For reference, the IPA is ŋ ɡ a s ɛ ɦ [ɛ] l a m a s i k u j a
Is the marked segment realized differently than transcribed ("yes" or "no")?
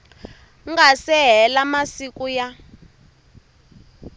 no